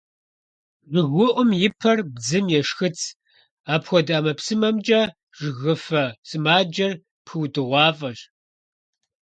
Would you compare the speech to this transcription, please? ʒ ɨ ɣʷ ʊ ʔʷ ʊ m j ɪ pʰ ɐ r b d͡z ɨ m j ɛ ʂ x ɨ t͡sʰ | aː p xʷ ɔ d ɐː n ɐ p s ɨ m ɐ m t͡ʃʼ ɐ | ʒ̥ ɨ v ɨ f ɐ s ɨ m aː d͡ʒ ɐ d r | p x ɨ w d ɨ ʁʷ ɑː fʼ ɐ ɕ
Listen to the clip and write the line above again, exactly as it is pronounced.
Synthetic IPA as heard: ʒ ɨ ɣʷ ʊ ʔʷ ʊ m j ɪ pʰ ɐ r b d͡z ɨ m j ɛ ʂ x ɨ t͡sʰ | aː p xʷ ɔ d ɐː m ɐ p s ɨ m ɐ m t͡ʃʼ ɐ | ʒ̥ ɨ ɣ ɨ f ɐ s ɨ m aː d͡ʒ ɐ r | p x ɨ w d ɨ ʁʷ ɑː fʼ ɐ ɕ